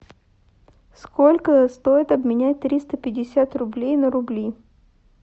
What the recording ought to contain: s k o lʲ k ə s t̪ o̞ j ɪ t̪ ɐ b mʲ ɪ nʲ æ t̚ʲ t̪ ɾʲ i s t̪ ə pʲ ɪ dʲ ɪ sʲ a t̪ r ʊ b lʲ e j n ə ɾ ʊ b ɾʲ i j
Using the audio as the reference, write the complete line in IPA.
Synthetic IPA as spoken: s k o lʲ k ə s t̪ o̞ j ɪ t̪ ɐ b mʲ ɪ nʲ æ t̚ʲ t̪ ɾʲ i s t̪ ə pʲ ɪ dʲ ɪ sʲ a t̪ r ʊ b lʲ e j n ə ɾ ʊ b lʲ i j